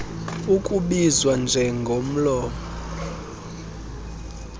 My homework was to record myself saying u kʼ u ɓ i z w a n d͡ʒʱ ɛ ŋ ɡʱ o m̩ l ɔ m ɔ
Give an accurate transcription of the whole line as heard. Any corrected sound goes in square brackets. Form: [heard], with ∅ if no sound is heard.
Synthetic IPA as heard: u kʼ u ɓ i z w a n d͡ʒʱ ɛ ŋ ɡʱ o m̩ l [ɔː] m ɔ